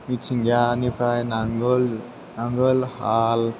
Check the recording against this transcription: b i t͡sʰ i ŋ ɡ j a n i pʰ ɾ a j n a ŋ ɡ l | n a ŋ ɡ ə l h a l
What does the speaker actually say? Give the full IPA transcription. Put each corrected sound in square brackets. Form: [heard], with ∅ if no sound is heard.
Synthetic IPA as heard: [m] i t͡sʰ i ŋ ɡ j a n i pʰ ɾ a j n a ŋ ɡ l | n a ŋ ɡ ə l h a l